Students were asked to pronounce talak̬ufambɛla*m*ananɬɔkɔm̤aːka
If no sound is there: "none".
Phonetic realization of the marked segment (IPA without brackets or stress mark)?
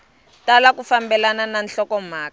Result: n